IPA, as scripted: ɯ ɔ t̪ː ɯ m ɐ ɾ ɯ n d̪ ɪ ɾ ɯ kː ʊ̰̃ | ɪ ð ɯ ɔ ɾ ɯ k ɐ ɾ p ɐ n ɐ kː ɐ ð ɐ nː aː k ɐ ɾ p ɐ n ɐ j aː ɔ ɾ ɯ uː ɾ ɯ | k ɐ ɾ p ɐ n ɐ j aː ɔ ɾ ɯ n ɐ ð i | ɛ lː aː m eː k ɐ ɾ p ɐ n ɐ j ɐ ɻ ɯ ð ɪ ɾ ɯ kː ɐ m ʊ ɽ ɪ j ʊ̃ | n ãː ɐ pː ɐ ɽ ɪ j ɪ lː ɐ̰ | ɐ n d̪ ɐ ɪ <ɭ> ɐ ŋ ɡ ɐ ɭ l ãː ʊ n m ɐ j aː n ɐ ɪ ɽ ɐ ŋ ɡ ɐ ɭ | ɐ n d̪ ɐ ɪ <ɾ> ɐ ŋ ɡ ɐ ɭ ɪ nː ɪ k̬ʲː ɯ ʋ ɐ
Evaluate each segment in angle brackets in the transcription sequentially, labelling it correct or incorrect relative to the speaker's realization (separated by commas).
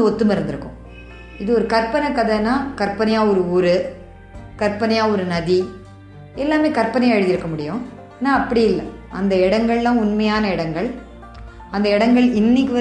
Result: incorrect, incorrect